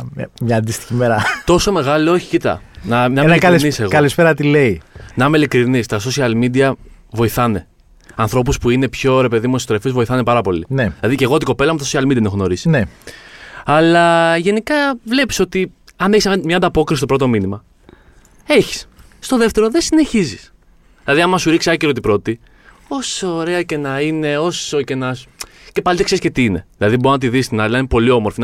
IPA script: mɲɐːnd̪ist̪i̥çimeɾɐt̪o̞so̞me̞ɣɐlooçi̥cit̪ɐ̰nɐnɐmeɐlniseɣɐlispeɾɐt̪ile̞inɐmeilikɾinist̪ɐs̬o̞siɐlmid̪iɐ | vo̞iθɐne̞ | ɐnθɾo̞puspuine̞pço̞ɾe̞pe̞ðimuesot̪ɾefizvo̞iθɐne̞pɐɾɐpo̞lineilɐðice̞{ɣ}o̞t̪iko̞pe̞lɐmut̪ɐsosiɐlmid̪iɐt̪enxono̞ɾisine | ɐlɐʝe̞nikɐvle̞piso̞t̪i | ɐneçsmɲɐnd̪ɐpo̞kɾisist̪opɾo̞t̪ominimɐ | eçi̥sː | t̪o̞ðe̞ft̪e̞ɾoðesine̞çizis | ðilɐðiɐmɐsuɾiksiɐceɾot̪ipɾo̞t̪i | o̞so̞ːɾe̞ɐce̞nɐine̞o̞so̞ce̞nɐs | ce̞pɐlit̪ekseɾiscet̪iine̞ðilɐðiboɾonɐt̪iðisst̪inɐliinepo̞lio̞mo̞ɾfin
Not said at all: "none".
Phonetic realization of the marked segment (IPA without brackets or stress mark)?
ɣ